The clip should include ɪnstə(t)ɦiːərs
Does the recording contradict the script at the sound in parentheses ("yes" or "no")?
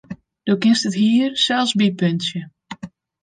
no